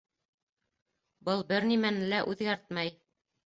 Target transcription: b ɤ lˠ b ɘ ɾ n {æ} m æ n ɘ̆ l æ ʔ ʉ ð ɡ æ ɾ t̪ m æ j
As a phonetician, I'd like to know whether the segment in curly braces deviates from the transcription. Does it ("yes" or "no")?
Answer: yes